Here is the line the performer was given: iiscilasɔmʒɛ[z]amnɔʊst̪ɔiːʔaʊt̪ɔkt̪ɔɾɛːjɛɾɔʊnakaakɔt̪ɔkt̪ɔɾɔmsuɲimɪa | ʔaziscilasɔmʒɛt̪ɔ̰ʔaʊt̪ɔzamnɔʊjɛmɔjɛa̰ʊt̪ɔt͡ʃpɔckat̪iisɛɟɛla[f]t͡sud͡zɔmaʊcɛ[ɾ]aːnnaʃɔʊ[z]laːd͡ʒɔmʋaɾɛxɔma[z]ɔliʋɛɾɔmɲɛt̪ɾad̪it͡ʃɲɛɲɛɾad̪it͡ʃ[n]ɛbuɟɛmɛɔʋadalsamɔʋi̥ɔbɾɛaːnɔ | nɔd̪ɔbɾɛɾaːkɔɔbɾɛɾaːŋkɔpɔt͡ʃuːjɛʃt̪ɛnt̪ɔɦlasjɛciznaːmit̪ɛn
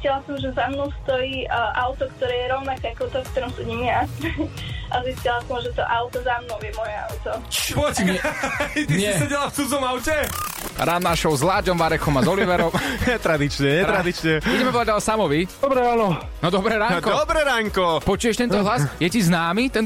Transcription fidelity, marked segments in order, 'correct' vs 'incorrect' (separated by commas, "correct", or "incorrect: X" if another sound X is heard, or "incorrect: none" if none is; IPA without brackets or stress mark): correct, correct, correct, correct, correct, incorrect: ɲ